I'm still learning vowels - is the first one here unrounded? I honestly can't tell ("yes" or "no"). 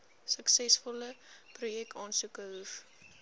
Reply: yes